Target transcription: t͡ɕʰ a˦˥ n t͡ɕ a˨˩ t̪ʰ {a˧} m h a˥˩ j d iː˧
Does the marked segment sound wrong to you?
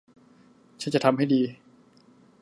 no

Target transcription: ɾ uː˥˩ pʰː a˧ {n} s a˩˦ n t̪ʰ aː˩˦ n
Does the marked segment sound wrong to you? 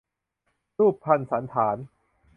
no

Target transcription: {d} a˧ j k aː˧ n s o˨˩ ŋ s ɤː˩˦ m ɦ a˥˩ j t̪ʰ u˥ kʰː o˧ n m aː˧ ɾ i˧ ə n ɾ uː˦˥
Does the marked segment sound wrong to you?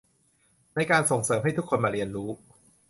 yes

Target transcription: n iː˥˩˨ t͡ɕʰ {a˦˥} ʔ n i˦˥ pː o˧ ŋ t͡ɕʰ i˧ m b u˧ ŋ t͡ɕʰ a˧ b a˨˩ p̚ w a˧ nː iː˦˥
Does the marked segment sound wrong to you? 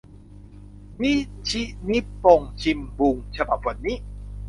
yes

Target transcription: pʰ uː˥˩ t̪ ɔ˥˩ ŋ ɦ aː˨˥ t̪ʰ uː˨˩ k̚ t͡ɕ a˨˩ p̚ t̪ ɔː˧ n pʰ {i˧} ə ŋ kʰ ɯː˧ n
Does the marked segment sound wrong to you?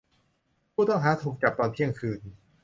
yes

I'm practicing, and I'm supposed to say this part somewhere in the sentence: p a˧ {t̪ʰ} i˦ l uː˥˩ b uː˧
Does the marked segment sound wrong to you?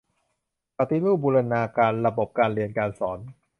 yes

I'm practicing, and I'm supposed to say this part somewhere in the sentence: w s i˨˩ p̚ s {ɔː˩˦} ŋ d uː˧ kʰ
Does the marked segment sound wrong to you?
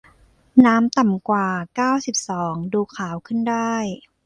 no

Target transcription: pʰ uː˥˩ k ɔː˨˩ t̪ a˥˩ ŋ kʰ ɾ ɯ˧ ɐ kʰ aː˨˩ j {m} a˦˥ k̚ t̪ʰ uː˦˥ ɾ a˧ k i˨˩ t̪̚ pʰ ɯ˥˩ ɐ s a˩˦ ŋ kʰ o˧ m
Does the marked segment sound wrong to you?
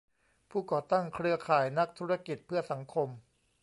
yes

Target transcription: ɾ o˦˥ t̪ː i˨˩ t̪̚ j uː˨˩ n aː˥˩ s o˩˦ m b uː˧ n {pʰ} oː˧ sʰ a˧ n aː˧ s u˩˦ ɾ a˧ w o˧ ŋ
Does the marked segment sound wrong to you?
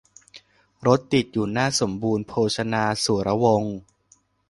no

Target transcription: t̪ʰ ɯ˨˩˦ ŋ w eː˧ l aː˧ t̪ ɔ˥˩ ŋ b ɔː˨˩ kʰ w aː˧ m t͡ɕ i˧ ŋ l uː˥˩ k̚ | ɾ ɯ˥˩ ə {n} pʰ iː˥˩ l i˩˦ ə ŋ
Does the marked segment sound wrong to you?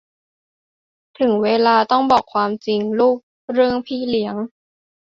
yes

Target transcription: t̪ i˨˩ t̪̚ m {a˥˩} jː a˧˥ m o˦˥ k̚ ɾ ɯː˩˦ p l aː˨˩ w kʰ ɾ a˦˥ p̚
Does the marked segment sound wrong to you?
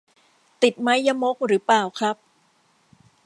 yes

